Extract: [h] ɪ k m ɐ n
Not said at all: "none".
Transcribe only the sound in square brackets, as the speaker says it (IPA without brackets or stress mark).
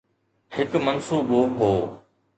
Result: h